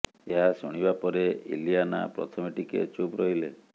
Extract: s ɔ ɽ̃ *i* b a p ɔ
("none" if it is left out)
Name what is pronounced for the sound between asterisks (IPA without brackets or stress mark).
i